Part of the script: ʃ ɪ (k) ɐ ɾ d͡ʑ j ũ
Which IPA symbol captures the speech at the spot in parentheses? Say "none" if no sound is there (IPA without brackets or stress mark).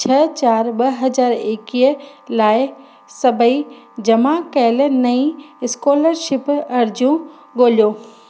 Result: p